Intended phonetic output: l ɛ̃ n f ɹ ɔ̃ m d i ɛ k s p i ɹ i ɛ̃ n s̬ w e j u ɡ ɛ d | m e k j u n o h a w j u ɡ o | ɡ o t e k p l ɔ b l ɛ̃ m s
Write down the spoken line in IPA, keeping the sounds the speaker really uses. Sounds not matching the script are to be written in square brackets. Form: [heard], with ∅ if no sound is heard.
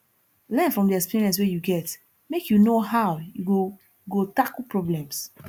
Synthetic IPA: l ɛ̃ n f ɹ ɔ̃ m d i ɛ k s p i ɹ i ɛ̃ n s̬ w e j u ɡ ɛ [t] | m e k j u n o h a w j u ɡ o | ɡ o t [a] k p [ɹ] ɔ b l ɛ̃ m s